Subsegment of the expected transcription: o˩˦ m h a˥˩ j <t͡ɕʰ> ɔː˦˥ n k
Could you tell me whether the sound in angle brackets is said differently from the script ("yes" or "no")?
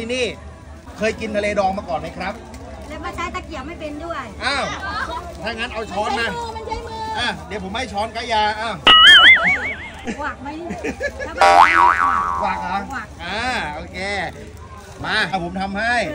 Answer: no